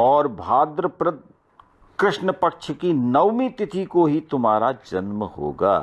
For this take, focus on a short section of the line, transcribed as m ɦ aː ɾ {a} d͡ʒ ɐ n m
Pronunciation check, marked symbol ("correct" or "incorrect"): correct